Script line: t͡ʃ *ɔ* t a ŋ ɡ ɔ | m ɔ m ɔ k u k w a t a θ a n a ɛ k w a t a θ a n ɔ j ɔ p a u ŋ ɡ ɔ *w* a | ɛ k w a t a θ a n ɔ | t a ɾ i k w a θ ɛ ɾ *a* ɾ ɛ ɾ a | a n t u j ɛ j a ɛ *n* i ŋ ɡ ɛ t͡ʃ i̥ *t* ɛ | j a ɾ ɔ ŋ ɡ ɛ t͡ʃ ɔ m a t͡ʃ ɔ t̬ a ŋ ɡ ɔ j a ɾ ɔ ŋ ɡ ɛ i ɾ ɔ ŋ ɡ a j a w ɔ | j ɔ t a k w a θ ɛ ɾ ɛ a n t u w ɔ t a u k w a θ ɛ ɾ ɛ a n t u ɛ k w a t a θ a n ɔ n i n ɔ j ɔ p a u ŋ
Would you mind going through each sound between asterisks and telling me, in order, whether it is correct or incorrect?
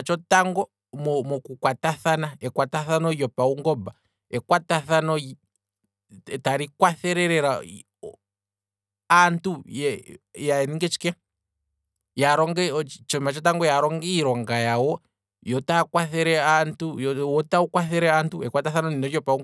correct, incorrect, incorrect, correct, incorrect

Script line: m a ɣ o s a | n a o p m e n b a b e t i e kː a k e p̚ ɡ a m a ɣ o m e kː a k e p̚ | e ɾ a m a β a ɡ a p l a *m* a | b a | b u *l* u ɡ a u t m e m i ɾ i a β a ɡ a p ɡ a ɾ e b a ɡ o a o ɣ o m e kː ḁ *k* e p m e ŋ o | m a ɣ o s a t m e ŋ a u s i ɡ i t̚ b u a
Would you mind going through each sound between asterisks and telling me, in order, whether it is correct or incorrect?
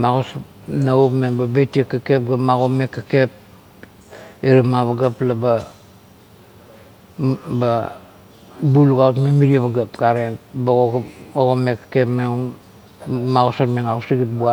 incorrect, correct, correct

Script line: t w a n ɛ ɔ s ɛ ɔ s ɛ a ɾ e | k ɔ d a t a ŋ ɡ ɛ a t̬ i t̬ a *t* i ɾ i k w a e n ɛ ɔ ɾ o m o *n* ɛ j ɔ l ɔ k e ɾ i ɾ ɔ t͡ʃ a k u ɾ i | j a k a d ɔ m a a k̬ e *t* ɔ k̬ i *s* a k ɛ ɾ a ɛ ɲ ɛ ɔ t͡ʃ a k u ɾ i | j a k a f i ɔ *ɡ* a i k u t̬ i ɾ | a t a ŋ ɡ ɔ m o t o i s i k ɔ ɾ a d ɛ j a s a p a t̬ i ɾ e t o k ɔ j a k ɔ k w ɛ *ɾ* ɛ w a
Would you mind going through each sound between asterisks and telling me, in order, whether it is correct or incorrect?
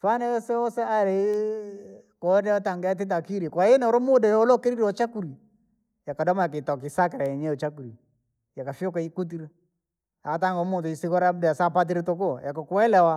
incorrect, incorrect, correct, correct, incorrect, incorrect

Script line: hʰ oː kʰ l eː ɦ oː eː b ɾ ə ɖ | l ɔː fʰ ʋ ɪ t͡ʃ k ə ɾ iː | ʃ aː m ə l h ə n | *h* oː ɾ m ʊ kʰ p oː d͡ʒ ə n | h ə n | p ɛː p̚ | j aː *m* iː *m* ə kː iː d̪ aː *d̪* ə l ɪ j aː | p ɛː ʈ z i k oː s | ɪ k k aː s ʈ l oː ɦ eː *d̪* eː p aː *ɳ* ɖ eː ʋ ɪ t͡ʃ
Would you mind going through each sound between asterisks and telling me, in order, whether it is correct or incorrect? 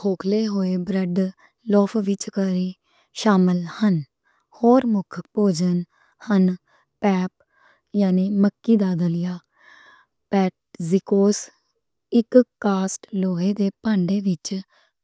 correct, incorrect, correct, correct, correct, correct

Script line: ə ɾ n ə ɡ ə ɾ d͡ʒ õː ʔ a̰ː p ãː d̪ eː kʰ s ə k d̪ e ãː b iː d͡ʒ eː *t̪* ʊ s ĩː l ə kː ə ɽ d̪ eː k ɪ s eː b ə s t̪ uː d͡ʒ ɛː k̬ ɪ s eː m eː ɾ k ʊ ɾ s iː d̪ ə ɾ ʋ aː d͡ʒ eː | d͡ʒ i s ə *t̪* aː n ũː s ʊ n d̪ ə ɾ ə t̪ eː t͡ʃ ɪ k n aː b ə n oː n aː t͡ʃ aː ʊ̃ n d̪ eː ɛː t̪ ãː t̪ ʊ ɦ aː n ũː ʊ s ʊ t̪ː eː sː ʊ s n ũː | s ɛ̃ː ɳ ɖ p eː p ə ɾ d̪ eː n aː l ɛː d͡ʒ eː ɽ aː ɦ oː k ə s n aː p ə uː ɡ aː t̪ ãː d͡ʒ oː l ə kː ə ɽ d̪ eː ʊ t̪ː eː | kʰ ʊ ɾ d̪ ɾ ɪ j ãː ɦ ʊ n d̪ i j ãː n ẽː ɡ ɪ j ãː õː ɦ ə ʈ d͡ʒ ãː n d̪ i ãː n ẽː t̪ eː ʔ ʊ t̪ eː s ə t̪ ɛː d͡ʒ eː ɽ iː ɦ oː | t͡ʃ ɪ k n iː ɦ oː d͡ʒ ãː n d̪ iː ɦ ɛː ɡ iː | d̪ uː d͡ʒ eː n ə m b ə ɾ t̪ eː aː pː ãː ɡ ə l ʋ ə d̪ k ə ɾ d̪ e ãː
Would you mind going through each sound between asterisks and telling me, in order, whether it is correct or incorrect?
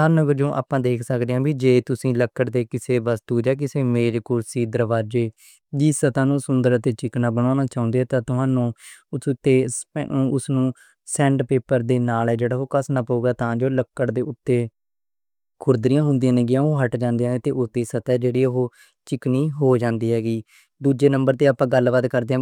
correct, correct

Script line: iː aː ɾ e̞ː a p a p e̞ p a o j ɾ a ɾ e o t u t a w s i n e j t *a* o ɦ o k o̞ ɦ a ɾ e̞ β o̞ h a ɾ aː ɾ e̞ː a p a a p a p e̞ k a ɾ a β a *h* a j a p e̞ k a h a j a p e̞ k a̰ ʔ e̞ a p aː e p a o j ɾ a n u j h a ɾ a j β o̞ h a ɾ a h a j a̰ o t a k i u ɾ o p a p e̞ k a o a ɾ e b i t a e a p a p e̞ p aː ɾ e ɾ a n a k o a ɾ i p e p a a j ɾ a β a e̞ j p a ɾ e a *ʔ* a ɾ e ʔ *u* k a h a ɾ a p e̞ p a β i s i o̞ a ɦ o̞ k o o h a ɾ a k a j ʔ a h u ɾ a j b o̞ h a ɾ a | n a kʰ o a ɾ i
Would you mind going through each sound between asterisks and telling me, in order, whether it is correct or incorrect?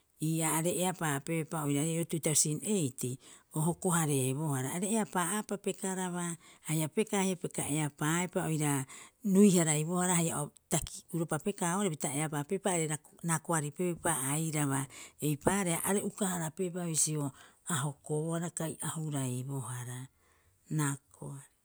incorrect, correct, correct, correct

